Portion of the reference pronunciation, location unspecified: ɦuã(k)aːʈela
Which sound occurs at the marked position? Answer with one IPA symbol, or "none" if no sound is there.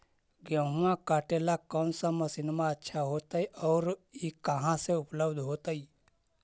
k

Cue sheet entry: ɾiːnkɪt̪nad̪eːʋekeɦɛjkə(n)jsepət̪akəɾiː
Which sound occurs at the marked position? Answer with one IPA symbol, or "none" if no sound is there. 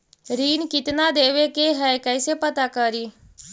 none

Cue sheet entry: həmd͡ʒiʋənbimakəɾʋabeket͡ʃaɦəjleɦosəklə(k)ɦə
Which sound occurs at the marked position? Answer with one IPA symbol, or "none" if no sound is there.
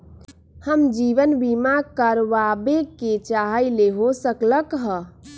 k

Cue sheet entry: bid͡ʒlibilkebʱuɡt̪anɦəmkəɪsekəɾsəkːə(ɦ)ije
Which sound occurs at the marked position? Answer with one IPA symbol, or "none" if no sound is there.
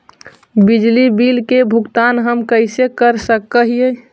ɦ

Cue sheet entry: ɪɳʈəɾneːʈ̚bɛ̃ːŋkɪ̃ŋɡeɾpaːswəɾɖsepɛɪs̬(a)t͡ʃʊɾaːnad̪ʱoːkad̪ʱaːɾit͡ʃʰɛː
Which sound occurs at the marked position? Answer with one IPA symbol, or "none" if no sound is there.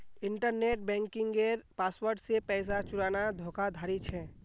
a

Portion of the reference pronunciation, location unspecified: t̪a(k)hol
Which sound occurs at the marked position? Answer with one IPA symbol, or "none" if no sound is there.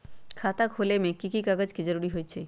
k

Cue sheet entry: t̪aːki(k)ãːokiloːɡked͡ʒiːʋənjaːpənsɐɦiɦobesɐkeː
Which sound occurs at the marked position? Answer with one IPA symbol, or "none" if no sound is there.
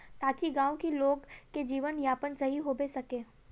ɡ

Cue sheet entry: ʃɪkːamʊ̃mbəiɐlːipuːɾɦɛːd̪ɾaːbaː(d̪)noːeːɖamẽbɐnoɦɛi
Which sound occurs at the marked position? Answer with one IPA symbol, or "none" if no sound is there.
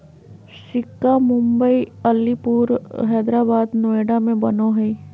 d̪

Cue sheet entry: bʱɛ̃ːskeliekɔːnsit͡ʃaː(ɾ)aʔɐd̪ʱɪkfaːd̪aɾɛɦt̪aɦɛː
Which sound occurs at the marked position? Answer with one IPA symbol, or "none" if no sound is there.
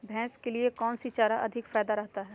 ɾ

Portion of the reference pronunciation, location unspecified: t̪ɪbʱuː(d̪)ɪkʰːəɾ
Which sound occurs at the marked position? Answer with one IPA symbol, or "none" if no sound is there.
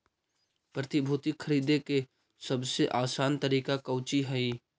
t̪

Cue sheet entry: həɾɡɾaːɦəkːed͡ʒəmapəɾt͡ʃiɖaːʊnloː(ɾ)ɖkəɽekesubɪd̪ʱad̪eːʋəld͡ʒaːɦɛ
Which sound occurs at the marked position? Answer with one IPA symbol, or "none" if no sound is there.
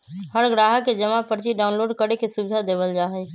none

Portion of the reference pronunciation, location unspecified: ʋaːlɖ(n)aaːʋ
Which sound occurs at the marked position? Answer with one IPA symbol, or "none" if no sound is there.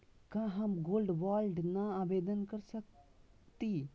n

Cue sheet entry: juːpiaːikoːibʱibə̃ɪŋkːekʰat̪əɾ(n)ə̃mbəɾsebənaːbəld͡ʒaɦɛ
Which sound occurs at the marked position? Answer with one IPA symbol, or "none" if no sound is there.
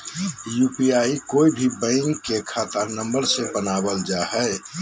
n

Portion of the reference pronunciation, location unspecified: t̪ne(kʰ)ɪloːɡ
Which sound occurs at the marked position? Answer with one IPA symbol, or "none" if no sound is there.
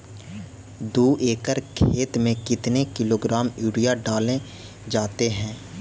k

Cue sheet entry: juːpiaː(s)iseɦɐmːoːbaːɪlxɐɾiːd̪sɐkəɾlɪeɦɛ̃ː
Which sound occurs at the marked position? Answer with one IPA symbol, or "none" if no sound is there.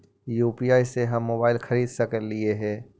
none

